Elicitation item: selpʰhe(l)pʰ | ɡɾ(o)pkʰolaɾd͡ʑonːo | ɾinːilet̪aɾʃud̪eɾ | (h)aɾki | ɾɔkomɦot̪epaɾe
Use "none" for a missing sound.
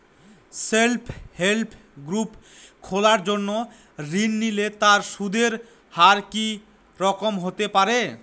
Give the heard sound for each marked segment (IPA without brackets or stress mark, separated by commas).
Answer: l, u, h